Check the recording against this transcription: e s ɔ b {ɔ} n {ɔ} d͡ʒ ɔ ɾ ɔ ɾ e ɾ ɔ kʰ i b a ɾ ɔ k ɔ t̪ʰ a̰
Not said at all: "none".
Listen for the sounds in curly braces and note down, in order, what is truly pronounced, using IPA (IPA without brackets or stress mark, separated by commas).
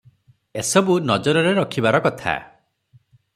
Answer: u, ɔ